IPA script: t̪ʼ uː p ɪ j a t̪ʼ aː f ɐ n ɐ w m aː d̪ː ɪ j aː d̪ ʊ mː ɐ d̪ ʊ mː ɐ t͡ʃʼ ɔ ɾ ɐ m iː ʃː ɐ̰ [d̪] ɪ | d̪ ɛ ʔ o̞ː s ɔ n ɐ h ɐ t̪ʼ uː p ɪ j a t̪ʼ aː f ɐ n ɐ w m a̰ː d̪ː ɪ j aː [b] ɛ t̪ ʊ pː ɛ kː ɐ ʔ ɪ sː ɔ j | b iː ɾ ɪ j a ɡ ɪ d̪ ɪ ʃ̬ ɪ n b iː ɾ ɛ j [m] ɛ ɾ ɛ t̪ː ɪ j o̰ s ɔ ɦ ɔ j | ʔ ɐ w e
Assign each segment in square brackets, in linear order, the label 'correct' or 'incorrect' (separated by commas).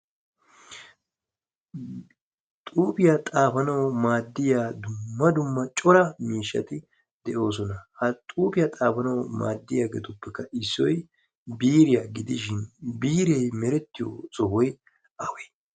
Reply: incorrect, incorrect, correct